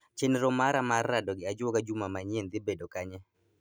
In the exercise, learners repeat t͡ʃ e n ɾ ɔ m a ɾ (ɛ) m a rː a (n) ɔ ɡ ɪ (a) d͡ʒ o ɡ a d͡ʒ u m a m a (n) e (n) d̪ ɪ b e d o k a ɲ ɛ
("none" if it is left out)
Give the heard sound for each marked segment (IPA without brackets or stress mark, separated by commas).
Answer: a, d, a, ɲ, n